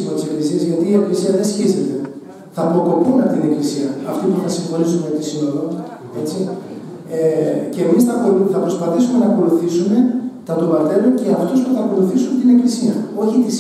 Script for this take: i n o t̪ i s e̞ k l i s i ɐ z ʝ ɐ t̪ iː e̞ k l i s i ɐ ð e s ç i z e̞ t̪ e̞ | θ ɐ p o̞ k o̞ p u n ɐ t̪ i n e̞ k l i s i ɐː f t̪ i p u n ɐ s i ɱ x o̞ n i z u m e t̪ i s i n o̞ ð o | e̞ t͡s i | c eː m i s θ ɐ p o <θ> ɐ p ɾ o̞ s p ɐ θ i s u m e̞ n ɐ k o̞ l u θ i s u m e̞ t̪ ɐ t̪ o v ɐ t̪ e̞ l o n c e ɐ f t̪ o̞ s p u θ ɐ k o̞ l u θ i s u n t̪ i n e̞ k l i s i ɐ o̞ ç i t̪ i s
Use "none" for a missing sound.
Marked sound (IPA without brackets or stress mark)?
θ